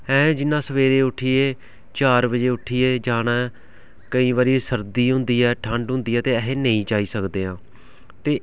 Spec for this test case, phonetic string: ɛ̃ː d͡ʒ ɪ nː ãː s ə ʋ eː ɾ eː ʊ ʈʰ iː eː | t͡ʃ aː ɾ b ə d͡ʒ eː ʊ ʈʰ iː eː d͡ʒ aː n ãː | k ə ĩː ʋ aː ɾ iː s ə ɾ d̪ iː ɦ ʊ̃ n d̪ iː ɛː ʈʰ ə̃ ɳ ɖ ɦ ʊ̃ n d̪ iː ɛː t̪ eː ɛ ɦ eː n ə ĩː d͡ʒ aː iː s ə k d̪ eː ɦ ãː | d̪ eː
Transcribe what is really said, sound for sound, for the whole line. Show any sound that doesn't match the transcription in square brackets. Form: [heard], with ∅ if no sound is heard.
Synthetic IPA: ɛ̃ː d͡ʒ ɪ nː ãː s ə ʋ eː ɾ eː ʊ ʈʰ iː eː | t͡ʃ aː ɾ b ə d͡ʒ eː ʊ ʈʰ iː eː d͡ʒ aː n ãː | k ə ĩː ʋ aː ɾ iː s ə ɾ d̪ iː ɦ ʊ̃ n d̪ iː ɛː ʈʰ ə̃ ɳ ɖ ɦ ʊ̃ n d̪ iː ɛː t̪ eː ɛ ɦ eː n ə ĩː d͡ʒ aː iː s ə k d̪ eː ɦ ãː | [t̪] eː